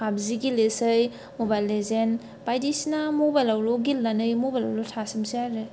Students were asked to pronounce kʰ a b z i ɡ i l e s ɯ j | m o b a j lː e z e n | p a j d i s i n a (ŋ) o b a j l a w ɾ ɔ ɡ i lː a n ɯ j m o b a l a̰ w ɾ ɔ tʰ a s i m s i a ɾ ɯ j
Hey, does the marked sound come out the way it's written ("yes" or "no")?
no